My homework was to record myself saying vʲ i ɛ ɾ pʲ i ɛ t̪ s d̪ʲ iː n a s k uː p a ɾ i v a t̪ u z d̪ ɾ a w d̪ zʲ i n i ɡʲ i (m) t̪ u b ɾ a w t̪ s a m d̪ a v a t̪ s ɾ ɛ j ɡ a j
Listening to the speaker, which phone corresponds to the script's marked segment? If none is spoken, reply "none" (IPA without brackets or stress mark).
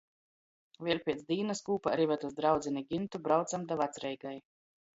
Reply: n